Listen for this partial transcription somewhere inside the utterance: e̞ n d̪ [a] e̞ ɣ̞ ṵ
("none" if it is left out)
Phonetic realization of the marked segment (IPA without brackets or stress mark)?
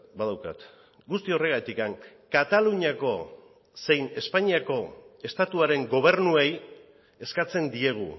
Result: i